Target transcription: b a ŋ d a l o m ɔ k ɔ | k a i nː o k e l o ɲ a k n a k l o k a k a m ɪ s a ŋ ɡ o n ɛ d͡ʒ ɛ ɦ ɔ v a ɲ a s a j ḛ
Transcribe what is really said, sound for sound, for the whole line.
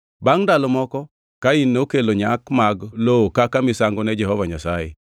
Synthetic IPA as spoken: b a ŋ d a l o m ɔ k ɔ | k a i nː o k e l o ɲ a k m a ɡ l o k a k a m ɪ s a ŋ ɡ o n ɛ d͡ʒ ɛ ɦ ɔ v a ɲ a s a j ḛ